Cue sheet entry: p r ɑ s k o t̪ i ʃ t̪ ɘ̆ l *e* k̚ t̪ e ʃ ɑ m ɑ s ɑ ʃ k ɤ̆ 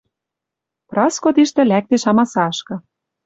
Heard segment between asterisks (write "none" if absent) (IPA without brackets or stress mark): æ